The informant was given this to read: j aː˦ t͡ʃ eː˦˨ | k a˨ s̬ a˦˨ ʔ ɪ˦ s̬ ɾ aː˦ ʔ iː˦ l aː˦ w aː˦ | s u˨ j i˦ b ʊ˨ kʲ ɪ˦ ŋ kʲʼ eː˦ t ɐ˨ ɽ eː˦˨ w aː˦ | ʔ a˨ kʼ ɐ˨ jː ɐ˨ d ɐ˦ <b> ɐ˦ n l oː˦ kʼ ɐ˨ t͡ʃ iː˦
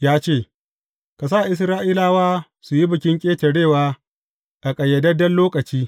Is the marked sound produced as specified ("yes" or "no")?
no